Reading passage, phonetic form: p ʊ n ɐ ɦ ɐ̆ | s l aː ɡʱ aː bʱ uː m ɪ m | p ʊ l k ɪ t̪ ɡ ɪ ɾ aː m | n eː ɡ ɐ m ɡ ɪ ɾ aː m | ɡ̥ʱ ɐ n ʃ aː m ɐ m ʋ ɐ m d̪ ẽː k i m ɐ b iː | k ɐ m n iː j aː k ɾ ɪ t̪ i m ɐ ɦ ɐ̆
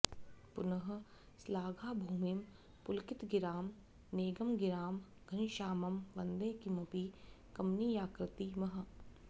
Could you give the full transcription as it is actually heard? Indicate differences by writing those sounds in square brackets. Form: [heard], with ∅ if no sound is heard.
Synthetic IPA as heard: p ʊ n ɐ ɦ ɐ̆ | s l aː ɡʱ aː bʱ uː m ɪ m | p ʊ l k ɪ t̪ ɡ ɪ ɾ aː m | n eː ɡ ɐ m ɡ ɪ ɾ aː m | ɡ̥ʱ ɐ n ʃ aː m ɐ m ʋ ɐ [n] d̪ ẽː k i m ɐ [p] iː | k ɐ m n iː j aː k ɾ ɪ t̪ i m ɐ ɦ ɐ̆